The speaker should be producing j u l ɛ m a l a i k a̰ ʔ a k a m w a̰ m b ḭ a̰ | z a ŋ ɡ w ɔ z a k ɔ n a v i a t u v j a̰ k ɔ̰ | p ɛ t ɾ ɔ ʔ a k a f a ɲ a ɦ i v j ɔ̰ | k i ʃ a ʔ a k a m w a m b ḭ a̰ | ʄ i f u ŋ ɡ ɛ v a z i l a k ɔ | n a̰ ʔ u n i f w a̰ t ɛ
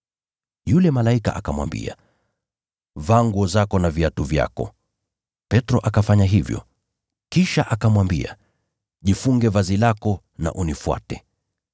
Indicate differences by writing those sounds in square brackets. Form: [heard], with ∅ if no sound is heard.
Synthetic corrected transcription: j u l ɛ m a l a i k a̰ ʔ a k a m w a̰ m b ḭ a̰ | [v] a ŋ ɡ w ɔ z a k ɔ n a v i a t u v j a̰ k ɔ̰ | p ɛ t ɾ ɔ ʔ a k a f a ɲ a ɦ i v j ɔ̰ | k i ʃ a ʔ a k a m w a m b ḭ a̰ | ʄ i f u ŋ ɡ ɛ v a z i l a k ɔ | n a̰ ʔ u n i f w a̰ t ɛ